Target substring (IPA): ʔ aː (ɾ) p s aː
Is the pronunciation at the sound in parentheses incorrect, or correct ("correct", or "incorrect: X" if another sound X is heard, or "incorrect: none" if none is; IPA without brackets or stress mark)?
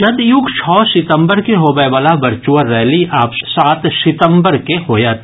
incorrect: none